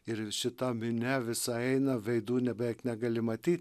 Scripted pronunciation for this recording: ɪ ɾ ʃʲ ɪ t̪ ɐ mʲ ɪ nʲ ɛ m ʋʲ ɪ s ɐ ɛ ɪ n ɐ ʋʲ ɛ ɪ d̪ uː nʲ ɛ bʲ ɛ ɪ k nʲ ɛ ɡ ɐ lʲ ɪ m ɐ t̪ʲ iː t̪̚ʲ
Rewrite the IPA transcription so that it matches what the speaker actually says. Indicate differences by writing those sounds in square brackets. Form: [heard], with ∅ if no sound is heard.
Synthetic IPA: ɪ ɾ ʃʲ ɪ t̪ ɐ mʲ ɪ nʲ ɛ [∅] ʋʲ ɪ s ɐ ɛ ɪ n ɐ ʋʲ ɛ ɪ d̪ uː nʲ ɛ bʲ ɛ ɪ k nʲ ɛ ɡ ɐ lʲ ɪ m ɐ t̪ʲ iː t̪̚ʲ